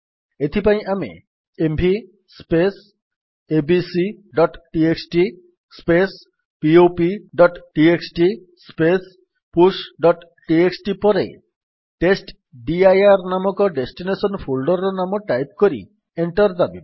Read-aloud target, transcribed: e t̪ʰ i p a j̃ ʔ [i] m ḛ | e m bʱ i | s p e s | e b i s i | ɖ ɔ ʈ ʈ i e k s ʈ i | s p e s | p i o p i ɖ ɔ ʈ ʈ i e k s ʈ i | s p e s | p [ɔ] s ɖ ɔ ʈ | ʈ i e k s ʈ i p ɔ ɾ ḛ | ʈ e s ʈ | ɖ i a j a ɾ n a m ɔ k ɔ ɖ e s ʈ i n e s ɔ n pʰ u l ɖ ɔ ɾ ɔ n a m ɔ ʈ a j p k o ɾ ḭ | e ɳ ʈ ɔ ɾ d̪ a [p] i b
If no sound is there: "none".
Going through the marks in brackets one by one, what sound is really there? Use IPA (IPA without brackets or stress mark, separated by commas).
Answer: a, u, b